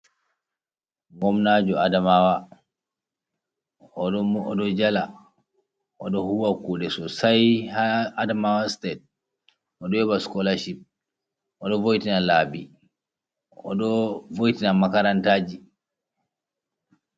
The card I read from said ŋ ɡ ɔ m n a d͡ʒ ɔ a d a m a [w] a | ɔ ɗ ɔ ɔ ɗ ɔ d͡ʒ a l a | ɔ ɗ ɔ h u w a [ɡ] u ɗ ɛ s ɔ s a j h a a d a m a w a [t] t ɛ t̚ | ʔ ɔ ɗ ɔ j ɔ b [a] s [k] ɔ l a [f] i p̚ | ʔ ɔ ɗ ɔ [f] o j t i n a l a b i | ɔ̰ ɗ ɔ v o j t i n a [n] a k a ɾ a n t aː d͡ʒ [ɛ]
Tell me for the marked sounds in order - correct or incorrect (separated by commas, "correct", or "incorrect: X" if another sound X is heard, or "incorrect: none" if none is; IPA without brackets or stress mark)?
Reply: correct, incorrect: k, incorrect: s, correct, correct, incorrect: ʃ, incorrect: v, incorrect: m, incorrect: i